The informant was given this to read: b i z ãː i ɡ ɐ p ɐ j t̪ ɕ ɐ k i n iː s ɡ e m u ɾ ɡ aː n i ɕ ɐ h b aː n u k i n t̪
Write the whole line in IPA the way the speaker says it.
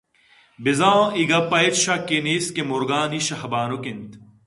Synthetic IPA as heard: b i z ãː i ɡ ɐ p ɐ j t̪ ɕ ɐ k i n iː s k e m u ɾ ɡ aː n i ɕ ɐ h b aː n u k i n t̪